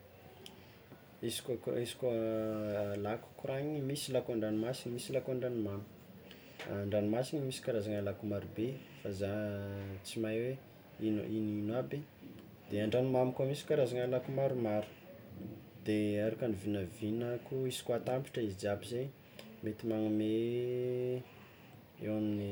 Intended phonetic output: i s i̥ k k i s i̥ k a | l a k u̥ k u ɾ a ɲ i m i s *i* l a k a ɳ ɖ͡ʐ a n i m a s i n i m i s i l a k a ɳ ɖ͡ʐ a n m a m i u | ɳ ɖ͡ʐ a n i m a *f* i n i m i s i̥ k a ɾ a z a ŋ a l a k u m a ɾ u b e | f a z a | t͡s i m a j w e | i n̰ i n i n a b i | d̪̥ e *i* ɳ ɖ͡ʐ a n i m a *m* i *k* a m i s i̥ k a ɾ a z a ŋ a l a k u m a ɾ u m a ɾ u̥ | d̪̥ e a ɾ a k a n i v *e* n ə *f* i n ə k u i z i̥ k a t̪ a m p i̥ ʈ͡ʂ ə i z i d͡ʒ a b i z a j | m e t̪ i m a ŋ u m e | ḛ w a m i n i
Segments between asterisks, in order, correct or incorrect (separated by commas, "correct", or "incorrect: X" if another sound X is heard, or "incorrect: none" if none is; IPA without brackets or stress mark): correct, incorrect: s, incorrect: a, correct, correct, incorrect: i, incorrect: v